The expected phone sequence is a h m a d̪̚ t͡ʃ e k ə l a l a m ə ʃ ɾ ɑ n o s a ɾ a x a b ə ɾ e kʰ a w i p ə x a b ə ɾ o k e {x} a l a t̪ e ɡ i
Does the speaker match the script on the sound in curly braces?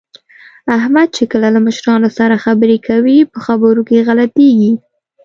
no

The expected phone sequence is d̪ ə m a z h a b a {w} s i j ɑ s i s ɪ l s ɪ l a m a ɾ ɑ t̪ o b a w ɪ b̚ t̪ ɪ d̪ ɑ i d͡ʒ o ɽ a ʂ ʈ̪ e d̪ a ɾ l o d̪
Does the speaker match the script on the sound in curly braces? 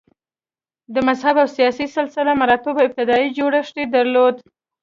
yes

